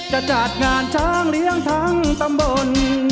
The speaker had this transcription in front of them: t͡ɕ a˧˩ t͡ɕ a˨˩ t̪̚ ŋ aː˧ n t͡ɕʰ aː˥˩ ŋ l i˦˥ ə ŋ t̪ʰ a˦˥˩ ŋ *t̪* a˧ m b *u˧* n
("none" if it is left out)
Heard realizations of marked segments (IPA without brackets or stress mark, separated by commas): t̪, o˧